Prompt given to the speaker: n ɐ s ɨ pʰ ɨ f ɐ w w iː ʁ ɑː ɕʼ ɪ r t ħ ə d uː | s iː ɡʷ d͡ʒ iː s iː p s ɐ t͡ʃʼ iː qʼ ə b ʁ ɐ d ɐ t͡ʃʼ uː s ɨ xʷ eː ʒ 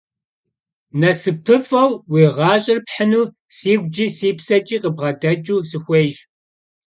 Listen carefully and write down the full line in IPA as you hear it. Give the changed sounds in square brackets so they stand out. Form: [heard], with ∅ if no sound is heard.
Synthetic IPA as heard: n ɐ s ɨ pʰ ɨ f ɐ w w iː ʁ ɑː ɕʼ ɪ r [p] ħ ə [n] uː | s iː ɡʷ d͡ʒ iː s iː p s ɐ t͡ʃʼ iː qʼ ə b ʁ ɐ d ɐ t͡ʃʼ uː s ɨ xʷ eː ʒ